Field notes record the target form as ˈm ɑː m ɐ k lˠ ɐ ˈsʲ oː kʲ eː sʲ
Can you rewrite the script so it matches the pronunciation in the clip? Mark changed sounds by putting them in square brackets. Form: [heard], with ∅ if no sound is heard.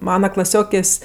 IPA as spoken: ˈm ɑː [n] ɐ k lˠ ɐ ˈsʲ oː kʲ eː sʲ